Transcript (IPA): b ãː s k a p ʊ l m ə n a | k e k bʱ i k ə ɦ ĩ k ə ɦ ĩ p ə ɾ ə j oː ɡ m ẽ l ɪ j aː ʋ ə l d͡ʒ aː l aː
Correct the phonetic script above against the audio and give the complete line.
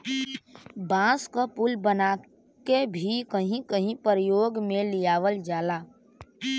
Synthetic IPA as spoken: b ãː s k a p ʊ l b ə n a | k e bʱ i k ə ɦ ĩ k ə ɦ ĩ p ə ɾ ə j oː ɡ m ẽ l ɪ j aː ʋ ə l d͡ʒ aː l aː